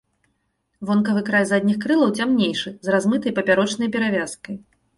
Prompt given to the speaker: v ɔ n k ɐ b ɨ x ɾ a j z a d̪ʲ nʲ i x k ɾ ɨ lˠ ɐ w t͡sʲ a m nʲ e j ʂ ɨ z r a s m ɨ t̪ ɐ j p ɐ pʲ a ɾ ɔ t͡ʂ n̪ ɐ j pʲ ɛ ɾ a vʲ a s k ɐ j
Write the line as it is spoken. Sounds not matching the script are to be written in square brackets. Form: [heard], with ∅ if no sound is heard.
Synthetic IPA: v ɔ n k ɐ [v] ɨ [k] ɾ a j z a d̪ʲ nʲ i x k ɾ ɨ lˠ ɐ w t͡sʲ a m nʲ e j ʂ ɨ z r a [z] m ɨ t̪ ɐ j p ɐ pʲ a ɾ ɔ t͡ʂ n̪ ɐ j pʲ ɛ ɾ a vʲ a s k ɐ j